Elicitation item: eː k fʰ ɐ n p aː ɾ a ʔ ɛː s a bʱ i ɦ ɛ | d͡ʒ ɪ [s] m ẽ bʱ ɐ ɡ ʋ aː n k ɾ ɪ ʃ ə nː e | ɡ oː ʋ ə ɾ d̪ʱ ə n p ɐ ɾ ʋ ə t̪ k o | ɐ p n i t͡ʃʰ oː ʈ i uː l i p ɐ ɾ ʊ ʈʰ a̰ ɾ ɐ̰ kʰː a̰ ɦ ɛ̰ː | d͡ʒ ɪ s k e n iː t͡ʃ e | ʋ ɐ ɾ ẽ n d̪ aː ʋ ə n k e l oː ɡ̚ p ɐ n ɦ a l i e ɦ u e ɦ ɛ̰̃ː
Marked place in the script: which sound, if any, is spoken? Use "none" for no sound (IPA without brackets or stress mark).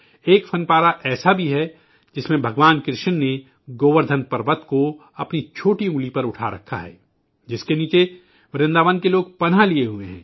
s